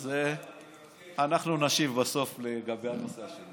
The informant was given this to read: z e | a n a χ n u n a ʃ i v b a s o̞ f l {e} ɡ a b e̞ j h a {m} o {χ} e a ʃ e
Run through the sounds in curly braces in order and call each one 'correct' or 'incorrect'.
correct, incorrect: n, incorrect: s

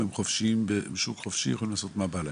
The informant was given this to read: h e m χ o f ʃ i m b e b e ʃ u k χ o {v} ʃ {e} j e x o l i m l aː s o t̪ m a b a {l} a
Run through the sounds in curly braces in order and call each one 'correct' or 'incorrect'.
incorrect: f, incorrect: i, correct

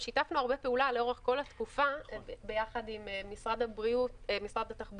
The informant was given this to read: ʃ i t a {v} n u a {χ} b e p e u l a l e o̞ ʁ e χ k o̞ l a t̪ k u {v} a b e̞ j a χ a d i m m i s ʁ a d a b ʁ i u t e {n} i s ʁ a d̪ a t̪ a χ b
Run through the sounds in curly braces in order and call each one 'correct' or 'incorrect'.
incorrect: f, incorrect: ʁ, incorrect: f, incorrect: m

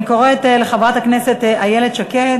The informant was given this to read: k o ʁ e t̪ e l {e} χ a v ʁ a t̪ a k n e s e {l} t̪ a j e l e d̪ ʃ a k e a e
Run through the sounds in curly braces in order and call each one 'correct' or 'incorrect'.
correct, incorrect: none

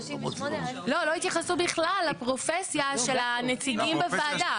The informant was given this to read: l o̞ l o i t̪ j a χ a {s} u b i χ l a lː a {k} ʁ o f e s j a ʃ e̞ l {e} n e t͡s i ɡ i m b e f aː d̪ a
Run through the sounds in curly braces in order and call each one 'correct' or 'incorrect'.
correct, incorrect: p, incorrect: a

